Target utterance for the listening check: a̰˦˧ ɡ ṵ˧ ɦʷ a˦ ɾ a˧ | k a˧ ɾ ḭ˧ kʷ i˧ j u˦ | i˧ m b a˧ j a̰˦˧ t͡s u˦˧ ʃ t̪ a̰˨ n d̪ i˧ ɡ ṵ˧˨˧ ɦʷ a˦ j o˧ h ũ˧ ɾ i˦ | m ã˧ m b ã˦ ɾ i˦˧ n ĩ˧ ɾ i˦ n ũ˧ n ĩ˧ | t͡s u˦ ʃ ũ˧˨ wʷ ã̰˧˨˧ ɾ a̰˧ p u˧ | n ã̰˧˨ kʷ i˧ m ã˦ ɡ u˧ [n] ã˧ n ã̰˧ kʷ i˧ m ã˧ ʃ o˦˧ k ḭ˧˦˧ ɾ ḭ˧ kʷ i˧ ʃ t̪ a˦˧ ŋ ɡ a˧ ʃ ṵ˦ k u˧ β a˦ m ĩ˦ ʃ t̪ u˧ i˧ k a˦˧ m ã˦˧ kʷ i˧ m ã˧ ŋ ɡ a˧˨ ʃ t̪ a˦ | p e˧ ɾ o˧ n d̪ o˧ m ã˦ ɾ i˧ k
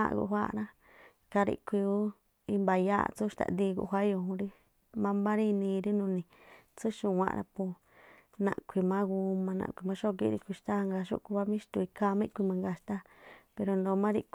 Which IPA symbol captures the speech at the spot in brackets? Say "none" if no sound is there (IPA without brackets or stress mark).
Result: m